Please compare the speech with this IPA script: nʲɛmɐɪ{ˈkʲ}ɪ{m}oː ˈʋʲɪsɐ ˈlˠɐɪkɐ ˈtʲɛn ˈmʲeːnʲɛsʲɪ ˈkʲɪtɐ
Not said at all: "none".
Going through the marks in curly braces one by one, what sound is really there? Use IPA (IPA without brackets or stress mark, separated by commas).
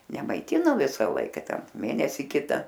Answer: tʲ, n